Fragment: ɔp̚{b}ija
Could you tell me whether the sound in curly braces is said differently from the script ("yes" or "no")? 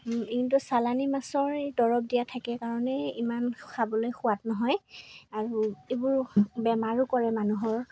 yes